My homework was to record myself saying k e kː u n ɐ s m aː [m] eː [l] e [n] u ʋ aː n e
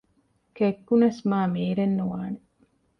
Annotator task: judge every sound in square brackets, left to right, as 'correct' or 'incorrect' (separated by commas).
correct, incorrect, incorrect